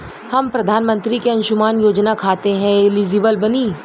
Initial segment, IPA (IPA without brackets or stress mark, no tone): h